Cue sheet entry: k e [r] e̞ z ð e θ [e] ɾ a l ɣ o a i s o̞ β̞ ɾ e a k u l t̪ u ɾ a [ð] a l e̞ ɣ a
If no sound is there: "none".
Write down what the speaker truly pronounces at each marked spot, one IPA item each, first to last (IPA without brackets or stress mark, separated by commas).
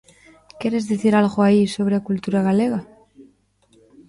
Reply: ɾ, i, ɣ